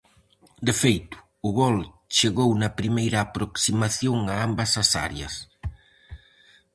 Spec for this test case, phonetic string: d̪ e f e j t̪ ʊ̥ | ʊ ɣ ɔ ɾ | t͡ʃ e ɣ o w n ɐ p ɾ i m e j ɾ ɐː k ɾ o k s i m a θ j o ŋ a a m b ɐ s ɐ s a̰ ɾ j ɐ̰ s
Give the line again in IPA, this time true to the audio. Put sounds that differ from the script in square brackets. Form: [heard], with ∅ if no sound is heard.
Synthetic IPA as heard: d̪ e f e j t̪ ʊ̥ | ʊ ɣ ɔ [l] | t͡ʃ e ɣ o w n ɐ p ɾ i m e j ɾ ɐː [p] ɾ o k s i m a θ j o ŋ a a m b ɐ s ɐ s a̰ ɾ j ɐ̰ s